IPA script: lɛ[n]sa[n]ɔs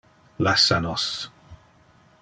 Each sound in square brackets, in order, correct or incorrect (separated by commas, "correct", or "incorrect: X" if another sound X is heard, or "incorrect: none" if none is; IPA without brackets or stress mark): incorrect: none, correct